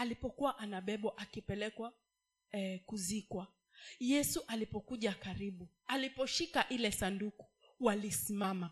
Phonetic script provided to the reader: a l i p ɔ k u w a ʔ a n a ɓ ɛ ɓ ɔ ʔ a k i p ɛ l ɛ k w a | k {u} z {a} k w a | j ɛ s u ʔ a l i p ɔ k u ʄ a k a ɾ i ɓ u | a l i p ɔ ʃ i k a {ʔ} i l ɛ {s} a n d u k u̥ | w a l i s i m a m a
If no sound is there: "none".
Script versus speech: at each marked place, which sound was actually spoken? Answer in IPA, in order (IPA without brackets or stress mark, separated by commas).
u, i, ʔ, s